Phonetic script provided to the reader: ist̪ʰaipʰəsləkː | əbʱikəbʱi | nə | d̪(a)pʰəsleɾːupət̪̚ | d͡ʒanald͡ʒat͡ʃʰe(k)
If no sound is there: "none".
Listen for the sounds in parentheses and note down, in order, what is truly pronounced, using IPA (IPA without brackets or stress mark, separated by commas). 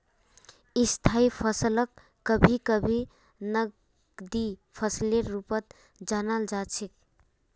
i, k